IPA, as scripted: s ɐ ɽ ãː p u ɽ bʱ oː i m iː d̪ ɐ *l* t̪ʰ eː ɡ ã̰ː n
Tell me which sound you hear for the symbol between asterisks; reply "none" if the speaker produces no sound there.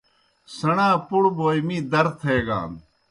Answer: ɾ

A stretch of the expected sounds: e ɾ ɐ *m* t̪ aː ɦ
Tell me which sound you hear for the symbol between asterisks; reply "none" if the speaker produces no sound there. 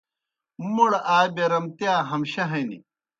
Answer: m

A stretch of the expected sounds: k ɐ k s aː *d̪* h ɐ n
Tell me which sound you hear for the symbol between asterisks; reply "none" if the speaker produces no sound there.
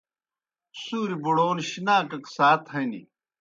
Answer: t̪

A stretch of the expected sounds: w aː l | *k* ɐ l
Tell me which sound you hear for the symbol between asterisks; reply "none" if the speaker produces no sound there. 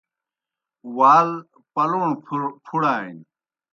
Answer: p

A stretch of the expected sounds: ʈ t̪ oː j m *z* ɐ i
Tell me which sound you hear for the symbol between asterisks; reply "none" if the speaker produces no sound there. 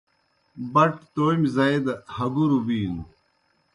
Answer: z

